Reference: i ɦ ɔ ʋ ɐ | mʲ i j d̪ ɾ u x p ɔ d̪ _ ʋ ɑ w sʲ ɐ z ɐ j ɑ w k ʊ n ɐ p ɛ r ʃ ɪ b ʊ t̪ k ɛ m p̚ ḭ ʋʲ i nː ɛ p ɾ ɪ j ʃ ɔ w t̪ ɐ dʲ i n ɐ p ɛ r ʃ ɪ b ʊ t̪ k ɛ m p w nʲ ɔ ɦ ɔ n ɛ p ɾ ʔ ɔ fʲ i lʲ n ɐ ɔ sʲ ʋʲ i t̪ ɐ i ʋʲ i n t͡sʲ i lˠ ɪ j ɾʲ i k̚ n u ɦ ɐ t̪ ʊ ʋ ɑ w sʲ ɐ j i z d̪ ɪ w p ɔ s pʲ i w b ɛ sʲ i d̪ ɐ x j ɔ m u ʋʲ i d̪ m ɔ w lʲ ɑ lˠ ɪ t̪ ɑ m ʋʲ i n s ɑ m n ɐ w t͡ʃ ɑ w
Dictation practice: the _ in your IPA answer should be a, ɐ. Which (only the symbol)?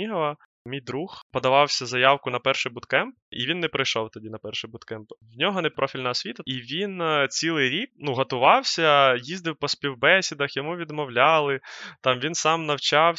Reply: ɐ